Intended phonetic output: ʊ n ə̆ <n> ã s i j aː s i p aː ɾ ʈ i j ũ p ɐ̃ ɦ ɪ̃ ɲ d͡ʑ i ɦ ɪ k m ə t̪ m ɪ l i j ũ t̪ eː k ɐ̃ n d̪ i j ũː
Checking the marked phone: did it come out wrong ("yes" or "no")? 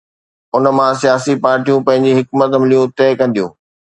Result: yes